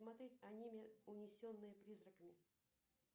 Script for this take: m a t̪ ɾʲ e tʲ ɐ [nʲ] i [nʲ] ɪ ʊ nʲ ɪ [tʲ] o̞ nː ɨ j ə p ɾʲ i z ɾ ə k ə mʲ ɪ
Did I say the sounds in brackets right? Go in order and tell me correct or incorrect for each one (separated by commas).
correct, incorrect, incorrect